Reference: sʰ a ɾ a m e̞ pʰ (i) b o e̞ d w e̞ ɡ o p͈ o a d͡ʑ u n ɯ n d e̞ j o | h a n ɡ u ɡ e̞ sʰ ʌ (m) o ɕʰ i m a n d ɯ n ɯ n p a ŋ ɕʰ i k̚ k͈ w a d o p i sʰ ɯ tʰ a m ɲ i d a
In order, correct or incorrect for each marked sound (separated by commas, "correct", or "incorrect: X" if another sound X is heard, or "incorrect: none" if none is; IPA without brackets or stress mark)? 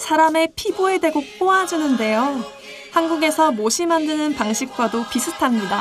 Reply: correct, correct